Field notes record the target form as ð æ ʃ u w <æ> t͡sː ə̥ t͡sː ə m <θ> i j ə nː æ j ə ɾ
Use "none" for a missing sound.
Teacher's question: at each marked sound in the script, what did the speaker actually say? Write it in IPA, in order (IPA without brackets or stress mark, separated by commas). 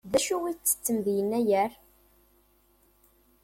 i, ð